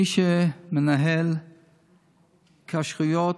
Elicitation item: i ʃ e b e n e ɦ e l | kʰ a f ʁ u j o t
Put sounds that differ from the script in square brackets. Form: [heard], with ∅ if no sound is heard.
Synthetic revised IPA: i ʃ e [m] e n [a] ɦ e l | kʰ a [ʃ] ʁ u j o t